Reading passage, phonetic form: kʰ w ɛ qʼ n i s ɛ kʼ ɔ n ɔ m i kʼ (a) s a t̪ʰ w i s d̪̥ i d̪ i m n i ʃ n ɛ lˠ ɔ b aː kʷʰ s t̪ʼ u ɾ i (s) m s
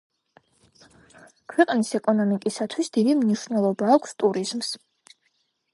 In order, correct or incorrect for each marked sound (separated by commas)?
incorrect, incorrect